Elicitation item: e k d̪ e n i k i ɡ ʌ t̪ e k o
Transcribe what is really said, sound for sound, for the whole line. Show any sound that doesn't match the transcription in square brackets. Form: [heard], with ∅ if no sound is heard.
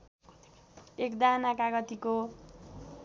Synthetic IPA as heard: e k d̪ [a] n [a] k [a] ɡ ʌ t̪ [i] k o